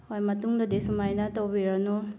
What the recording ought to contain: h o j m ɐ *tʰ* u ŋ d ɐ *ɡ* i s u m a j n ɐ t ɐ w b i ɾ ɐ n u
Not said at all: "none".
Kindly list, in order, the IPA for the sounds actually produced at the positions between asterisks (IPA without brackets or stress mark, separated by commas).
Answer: t, d